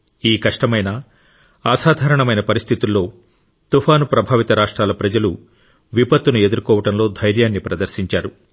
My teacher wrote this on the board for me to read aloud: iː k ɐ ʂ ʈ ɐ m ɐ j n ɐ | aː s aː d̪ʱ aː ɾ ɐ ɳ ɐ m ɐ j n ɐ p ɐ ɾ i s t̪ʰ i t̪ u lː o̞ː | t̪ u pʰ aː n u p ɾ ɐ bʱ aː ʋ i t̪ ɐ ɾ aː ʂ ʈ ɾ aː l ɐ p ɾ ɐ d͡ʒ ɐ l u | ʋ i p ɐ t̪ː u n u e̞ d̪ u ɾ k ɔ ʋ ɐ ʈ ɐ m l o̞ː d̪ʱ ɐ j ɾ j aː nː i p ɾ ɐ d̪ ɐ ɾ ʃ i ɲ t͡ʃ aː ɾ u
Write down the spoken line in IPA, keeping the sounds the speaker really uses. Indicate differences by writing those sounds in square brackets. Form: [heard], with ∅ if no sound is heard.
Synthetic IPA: iː k ɐ ʂ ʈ ɐ m ɐ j n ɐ | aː s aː d̪ʱ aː ɾ ɐ ɳ ɐ m ɐ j n ɐ p ɐ ɾ i s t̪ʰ i t̪ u lː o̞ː | t̪ u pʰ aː n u p ɾ ɐ bʱ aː ʋ i t̪ ɐ ɾ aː ʂ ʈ ɾ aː l ɐ p ɾ ɐ d͡ʒ ɐ l u | ʋ i p ɐ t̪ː u n u e̞ d̪ u ɾ k [ɔː] ʋ ɐ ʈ ɐ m l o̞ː d̪ʱ ɐ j ɾ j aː nː i p ɾ ɐ d̪ ɐ ɾ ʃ i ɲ t͡ʃ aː ɾ u